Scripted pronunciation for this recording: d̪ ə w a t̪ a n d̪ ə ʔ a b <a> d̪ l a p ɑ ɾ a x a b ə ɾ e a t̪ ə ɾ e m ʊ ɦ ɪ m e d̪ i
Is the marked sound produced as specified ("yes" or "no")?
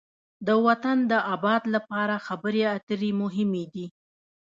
no